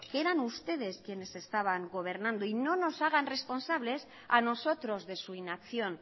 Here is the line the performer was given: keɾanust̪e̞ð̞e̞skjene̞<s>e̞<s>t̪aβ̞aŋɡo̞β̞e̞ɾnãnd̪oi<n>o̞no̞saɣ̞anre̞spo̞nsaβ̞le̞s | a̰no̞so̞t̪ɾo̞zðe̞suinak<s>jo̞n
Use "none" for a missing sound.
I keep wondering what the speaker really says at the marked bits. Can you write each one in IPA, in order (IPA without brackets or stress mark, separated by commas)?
s, s, n, θ